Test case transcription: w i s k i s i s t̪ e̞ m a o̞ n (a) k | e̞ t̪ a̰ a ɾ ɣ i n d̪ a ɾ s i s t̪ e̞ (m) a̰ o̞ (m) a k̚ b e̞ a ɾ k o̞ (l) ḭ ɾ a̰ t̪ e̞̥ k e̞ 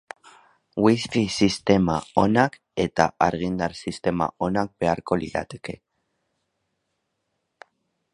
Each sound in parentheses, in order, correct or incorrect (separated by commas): correct, correct, incorrect, correct